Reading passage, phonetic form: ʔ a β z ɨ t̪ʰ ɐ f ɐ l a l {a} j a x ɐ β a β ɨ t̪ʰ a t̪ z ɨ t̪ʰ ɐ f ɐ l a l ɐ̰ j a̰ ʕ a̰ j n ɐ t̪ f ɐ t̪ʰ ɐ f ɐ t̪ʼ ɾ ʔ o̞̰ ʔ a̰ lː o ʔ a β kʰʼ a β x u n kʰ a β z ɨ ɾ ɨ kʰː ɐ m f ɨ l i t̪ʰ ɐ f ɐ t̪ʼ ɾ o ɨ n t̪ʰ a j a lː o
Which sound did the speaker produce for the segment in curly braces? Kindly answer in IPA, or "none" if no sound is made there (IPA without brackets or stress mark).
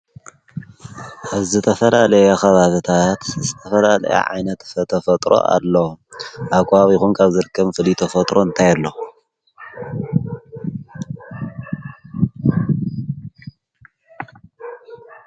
ɐ